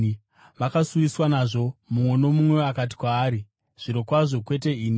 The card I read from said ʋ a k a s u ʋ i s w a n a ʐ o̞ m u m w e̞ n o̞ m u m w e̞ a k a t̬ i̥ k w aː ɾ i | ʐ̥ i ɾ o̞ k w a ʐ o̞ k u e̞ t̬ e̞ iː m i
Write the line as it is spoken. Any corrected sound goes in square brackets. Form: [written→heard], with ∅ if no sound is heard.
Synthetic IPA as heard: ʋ a k a s u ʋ i s w a n a ʐ o̞ m u m w e̞ n o̞ m u m w e̞ a k a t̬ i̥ k w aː ɾ i | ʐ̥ i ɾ o̞ k w a ʐ o̞ k [u→w] e̞ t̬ e̞ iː [m→n] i